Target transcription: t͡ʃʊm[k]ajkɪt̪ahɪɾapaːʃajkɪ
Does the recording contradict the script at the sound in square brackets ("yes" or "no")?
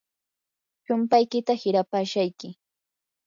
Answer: yes